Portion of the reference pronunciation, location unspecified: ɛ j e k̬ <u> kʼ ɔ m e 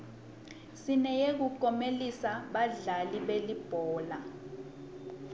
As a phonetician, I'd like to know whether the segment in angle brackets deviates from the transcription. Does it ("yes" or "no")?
no